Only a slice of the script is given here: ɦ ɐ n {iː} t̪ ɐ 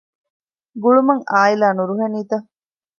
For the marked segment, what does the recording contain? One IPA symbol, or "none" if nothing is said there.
iː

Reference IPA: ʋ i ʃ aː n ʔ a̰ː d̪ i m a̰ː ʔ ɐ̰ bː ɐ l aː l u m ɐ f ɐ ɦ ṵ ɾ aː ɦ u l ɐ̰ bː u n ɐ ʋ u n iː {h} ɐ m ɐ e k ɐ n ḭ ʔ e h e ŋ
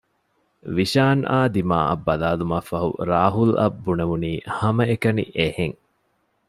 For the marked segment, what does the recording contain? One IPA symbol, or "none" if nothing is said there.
h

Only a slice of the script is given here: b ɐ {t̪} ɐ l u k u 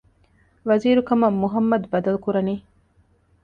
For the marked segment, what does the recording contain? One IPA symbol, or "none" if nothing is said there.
d̪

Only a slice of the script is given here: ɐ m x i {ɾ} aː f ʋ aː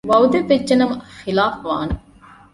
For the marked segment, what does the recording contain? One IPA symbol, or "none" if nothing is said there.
l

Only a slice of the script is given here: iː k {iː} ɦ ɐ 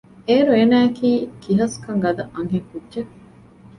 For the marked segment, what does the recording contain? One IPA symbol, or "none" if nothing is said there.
i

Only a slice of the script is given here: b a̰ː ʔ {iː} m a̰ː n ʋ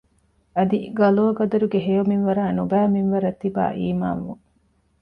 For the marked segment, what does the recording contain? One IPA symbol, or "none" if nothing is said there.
iː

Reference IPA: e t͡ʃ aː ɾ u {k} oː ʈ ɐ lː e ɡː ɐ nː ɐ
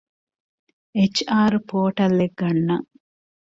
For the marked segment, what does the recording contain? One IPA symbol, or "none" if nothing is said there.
p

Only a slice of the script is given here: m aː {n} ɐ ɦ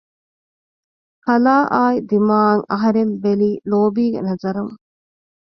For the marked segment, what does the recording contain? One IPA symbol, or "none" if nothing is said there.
ŋ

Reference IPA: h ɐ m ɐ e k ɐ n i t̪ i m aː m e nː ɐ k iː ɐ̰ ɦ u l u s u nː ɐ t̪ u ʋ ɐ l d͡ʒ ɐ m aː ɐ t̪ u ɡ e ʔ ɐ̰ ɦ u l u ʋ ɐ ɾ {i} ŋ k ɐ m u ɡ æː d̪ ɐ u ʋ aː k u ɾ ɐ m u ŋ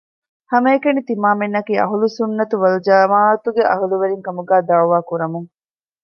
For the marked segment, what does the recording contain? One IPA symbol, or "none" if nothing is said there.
i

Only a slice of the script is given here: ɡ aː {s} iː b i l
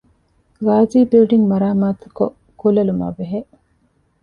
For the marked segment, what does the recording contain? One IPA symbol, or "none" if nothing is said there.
z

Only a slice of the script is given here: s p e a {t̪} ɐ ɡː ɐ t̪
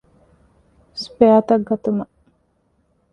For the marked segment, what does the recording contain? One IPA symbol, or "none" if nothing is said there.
t̪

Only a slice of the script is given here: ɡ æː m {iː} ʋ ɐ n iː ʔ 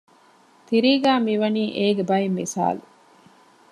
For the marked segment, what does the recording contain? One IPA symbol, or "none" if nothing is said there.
i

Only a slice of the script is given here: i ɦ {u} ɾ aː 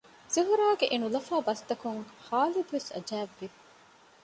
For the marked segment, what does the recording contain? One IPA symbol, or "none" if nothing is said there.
u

